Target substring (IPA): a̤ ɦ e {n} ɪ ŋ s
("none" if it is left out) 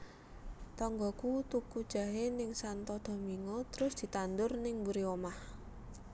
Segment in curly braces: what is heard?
n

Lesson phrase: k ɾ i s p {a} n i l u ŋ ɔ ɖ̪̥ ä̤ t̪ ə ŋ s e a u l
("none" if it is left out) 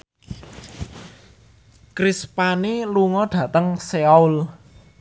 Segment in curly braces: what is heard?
a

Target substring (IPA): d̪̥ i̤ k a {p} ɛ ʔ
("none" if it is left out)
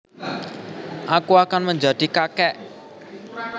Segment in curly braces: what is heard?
k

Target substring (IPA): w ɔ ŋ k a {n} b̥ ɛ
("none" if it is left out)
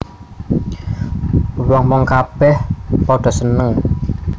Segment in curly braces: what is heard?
none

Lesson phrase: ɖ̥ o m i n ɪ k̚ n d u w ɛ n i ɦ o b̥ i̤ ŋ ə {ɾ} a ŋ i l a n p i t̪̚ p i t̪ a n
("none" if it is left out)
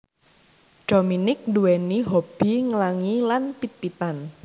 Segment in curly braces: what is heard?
l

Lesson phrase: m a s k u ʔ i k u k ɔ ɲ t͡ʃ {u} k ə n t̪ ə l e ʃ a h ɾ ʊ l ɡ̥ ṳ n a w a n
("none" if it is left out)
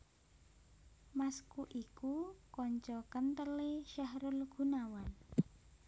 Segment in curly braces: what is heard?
ɔ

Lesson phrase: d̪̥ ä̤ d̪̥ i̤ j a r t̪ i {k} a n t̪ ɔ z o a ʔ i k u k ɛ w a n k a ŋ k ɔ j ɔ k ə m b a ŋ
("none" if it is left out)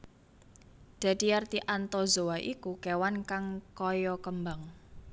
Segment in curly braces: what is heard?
ʔ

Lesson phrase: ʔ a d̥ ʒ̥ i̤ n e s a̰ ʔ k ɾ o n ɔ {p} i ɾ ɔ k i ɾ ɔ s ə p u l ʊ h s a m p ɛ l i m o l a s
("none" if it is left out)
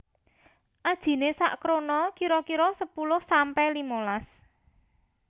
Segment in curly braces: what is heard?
k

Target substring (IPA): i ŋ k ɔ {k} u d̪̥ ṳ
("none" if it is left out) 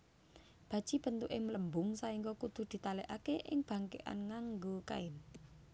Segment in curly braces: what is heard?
k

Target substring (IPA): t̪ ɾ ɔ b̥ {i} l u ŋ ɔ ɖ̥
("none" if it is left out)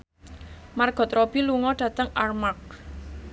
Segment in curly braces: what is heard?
i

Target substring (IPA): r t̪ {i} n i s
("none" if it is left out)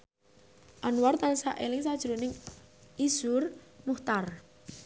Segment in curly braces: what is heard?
a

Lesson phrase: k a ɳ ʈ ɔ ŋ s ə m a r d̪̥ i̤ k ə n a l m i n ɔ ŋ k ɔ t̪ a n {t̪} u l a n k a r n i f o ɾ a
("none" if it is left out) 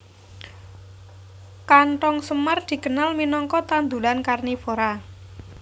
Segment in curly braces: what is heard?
d̪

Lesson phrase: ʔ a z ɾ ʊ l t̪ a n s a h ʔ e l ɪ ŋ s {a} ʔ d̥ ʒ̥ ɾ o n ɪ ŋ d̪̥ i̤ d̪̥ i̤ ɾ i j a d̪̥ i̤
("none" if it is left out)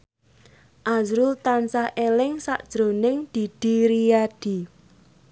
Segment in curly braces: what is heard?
a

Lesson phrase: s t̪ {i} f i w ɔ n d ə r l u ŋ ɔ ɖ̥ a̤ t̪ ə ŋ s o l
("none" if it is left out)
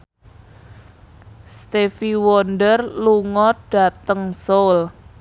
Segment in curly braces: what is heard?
e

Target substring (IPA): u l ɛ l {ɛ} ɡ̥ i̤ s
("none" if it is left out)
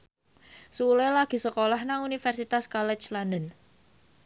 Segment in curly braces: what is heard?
a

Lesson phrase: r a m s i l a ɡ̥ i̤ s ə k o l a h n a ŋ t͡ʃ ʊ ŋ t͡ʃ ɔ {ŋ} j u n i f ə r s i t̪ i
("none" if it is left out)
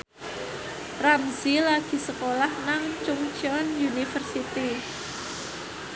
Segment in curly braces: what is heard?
n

